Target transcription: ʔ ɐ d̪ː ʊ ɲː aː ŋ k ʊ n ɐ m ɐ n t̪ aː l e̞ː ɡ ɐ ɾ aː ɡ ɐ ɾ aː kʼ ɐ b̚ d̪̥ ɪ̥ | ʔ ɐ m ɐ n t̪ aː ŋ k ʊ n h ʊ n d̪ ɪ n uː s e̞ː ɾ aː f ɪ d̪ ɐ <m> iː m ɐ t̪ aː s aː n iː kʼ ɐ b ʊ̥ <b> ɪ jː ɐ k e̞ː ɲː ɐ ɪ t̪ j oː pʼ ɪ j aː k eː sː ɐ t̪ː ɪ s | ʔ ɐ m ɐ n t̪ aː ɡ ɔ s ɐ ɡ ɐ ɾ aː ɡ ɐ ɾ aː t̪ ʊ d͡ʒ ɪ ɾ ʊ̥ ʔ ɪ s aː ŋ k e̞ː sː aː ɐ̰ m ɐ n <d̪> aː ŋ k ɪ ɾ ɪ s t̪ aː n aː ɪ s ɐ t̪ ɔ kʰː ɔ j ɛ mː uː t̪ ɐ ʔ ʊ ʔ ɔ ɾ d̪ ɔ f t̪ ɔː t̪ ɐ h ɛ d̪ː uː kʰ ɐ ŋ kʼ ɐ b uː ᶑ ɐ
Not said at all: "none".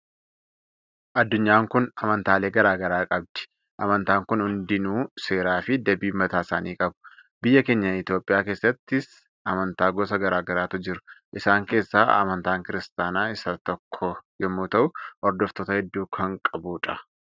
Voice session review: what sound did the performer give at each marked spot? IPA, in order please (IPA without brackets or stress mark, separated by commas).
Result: b, b, t̪